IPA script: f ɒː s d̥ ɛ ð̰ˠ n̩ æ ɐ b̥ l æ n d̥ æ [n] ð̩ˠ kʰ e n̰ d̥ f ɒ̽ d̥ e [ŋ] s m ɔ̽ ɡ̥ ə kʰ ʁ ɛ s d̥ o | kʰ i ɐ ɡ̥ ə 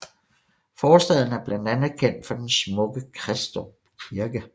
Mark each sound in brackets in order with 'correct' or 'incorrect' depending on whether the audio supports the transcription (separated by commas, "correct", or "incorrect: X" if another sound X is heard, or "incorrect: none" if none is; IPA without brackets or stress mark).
correct, incorrect: n